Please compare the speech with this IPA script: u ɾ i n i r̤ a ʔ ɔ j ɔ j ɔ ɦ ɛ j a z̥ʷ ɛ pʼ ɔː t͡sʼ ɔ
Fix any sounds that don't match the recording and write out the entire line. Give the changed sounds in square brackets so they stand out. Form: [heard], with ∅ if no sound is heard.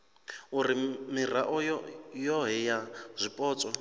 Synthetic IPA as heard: u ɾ i [m] i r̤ a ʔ ɔ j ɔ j ɔ ɦ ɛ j a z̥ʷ [i] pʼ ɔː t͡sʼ ɔ